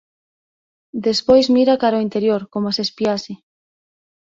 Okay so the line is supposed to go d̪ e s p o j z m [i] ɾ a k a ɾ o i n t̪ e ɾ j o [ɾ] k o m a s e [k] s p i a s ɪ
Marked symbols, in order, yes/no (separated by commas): yes, yes, no